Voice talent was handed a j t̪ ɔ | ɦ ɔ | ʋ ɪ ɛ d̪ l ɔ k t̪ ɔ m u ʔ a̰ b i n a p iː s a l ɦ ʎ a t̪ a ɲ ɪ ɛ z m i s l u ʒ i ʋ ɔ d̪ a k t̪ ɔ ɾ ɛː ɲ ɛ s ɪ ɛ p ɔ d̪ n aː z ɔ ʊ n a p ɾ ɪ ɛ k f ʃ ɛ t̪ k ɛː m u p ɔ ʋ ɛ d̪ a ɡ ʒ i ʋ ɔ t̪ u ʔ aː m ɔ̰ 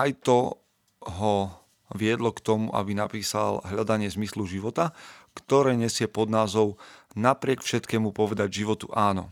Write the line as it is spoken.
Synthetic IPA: a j t̪ ɔ | ɦ ɔ | ʋ ɪ ɛ d̪ l ɔ k t̪ ɔ m u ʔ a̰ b i n a p iː s a l ɦ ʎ a d̪ a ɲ ɪ ɛ z m i s l u ʒ i ʋ ɔ t̪ a k t̪ ɔ ɾ ɛː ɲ ɛ s ɪ ɛ p ɔ d̪ n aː z ɔ ʊ n a p ɾ ɪ ɛ k f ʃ ɛ t̪ k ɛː m u p ɔ ʋ ɛ d̪ a ɟ ʒ i ʋ ɔ t̪ u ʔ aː n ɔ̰